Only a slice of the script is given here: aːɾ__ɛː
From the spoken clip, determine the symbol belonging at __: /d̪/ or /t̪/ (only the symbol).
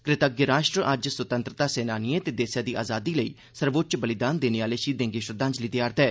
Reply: t̪